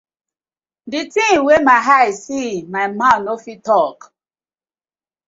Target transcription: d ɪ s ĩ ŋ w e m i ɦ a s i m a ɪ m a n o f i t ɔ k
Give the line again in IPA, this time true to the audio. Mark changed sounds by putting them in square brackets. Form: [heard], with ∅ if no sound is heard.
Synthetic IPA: d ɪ [t] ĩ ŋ w e m [a] ɦ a s i m a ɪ m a n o f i t ɔ k